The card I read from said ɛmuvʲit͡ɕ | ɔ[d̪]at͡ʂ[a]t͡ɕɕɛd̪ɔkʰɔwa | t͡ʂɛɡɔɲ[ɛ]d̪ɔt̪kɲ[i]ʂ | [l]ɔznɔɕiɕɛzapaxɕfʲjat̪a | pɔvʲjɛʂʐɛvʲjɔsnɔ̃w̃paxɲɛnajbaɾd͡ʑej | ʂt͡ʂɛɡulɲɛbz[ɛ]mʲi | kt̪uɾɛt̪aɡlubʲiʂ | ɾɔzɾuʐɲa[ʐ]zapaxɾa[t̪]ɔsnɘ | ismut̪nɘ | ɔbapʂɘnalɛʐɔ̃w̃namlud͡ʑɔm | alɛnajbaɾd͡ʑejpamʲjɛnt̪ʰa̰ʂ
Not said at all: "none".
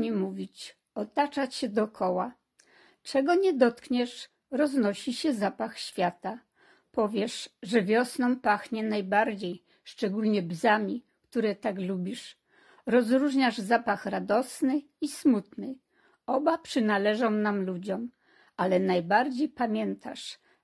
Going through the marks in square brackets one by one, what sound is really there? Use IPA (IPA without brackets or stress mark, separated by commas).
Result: t̪, a, ɛ, ɛ, ɾ, a, ʐ, d̪